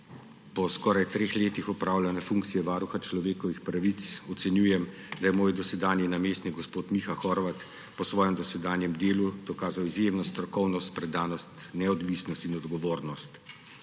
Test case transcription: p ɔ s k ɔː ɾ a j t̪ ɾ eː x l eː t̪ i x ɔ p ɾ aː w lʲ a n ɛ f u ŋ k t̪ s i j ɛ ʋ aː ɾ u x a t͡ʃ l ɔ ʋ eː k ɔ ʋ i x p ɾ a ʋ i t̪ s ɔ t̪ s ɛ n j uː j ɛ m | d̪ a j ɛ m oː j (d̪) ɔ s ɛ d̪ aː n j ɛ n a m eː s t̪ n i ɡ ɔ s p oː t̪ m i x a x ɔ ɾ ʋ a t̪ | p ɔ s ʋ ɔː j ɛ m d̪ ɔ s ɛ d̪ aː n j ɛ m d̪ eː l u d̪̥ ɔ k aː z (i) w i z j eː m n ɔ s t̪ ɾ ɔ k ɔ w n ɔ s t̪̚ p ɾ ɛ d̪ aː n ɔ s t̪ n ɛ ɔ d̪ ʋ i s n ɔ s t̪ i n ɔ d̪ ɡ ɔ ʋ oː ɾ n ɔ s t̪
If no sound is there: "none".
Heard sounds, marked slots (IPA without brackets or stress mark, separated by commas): d̪, a